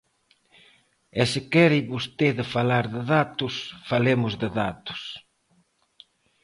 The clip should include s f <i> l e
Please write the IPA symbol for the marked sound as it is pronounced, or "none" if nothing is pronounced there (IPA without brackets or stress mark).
a